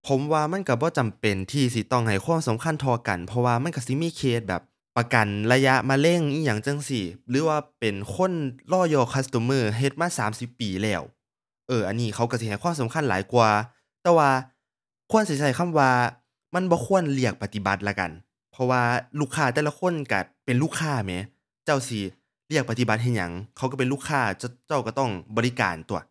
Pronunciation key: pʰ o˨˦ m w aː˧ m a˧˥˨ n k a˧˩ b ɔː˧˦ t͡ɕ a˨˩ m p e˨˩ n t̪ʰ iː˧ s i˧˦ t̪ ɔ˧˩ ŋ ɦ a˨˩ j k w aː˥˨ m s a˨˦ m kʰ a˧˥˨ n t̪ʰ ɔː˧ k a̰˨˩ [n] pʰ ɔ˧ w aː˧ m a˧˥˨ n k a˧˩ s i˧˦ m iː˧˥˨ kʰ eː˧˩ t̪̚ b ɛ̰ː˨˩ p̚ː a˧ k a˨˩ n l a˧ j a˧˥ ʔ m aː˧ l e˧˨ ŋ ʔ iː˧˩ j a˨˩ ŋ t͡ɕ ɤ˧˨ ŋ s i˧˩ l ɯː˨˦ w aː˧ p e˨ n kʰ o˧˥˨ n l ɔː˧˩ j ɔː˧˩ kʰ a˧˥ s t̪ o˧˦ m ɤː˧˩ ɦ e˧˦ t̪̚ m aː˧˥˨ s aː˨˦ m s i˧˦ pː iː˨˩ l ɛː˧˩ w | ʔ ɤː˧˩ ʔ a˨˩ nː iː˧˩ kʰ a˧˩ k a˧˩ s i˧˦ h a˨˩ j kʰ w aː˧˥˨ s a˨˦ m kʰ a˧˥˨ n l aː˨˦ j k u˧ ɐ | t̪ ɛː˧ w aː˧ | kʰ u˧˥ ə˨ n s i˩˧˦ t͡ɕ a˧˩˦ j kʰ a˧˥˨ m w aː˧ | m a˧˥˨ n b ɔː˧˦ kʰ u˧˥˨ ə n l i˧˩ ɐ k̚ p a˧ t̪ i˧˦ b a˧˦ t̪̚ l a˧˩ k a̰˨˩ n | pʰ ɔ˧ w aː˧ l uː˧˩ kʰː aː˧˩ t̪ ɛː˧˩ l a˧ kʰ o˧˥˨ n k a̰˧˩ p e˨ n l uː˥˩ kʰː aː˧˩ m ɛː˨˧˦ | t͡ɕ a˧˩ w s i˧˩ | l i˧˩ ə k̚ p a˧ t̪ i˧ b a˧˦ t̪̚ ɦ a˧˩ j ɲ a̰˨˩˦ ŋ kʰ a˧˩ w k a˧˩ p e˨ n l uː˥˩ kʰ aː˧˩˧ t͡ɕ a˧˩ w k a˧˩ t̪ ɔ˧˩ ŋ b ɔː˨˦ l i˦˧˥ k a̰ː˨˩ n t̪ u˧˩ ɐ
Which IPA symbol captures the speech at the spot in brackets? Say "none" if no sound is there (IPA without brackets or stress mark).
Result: n